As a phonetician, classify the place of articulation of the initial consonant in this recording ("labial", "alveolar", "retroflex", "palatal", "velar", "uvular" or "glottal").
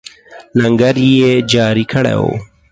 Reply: alveolar